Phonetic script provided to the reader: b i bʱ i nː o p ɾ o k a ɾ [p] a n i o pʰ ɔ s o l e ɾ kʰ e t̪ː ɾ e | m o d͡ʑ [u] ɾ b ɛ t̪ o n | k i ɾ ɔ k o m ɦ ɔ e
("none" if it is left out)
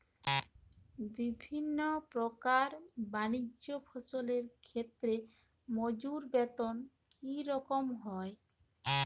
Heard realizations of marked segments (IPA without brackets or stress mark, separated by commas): b, u